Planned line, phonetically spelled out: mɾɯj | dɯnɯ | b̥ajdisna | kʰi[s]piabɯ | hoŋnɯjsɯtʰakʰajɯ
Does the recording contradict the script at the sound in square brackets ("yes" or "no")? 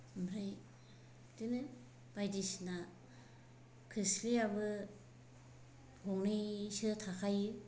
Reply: no